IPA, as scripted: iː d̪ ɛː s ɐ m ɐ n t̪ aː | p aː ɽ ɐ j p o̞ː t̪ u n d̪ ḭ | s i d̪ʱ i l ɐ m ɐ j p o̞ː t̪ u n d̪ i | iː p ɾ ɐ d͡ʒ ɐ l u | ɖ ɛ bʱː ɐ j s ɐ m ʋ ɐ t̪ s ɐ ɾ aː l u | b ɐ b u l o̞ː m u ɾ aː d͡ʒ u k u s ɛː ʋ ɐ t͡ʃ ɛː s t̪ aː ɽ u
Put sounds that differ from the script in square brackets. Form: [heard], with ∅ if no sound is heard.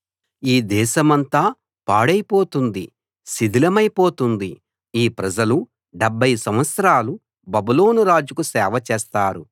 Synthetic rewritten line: iː d̪ ɛː [ʃ] ɐ m ɐ n t̪ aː | p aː ɽ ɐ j p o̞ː t̪ u n d̪ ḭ | s i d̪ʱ i l ɐ m ɐ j p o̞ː t̪ u n d̪ i | iː p ɾ ɐ d͡ʒ ɐ l u | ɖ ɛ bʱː ɐ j s ɐ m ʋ ɐ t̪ s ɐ ɾ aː l u | b ɐ b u l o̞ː [n] u ɾ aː d͡ʒ u k u s ɛː ʋ ɐ t͡ʃ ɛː s t̪ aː [ɾ] u